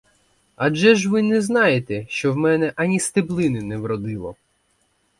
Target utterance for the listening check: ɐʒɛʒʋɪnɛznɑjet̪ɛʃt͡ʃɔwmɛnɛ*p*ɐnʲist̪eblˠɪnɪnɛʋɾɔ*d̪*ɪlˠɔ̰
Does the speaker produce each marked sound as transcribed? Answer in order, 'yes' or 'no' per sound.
no, yes

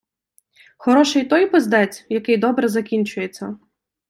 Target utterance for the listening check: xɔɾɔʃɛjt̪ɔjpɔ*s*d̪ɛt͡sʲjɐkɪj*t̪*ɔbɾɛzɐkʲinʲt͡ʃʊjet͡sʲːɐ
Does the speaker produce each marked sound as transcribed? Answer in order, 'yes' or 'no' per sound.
no, no

